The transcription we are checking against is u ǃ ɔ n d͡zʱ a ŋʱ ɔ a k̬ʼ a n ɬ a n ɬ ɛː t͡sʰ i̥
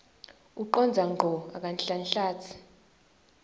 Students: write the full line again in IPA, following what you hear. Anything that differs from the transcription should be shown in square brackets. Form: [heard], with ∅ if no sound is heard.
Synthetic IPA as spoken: u ǃ ɔ n d͡zʱ a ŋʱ ɔ a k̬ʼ a n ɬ a n ɬ [aː] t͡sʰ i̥